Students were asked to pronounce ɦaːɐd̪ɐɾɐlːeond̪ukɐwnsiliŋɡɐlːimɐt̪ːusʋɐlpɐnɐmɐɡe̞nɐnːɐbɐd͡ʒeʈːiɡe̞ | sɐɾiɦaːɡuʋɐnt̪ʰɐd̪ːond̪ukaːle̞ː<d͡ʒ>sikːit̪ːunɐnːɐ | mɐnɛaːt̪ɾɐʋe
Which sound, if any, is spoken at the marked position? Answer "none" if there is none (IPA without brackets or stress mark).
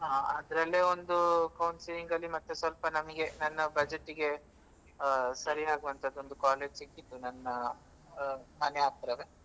d͡ʒ